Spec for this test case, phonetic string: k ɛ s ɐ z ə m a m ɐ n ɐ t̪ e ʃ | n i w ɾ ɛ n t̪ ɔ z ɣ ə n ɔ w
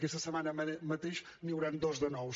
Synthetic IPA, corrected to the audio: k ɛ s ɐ s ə m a n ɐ m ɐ t̪ e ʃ | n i w ɾ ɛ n d̪ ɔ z ð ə n ɔ w